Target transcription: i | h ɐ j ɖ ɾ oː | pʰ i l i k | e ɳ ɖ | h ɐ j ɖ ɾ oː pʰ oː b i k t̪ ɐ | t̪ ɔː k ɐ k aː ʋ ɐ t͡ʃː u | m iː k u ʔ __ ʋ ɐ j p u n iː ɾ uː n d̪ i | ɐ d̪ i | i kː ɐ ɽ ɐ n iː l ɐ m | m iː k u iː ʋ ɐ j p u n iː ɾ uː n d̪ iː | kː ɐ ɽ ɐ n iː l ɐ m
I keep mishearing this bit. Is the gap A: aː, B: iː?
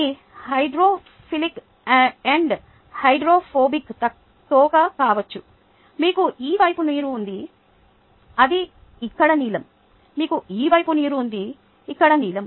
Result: B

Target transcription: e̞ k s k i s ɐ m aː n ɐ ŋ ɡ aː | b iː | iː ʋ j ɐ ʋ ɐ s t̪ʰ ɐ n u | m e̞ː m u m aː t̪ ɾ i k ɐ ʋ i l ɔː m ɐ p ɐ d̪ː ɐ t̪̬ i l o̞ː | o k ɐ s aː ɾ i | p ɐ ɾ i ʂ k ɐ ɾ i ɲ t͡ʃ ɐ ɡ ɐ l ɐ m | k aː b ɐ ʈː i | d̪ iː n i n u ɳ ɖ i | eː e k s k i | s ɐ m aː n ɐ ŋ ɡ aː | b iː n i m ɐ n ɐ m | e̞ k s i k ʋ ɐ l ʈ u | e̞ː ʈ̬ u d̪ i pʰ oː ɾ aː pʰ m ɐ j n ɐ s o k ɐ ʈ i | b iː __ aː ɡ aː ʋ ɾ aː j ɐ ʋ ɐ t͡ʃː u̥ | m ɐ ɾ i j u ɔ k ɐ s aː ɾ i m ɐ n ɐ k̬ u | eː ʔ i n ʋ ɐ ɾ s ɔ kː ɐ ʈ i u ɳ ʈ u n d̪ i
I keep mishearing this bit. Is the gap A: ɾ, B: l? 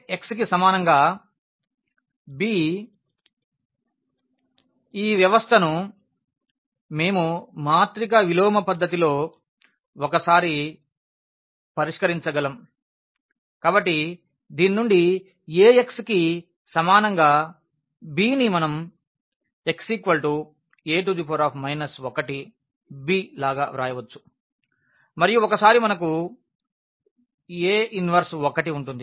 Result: B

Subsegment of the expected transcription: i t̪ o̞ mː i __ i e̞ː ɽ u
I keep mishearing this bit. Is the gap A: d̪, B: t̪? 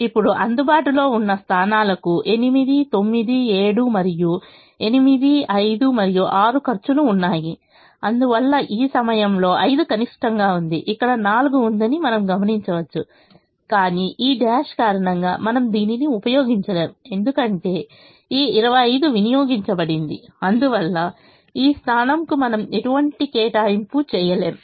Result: A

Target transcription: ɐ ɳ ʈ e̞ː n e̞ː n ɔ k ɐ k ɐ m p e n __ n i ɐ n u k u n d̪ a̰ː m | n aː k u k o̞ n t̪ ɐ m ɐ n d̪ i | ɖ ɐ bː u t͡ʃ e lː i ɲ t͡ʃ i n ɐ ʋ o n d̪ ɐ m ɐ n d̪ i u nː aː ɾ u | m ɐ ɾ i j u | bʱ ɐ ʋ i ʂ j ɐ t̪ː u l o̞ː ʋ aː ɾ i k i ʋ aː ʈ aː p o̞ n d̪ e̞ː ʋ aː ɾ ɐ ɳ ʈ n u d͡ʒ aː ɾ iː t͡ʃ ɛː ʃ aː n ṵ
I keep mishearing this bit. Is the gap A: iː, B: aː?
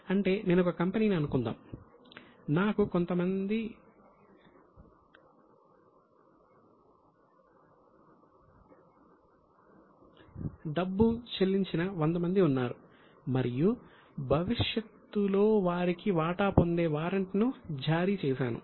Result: A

